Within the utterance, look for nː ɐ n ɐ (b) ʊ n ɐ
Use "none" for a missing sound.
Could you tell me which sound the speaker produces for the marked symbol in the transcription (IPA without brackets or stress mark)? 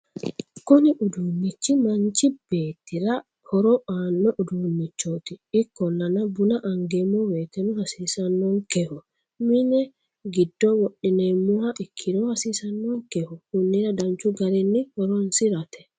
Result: b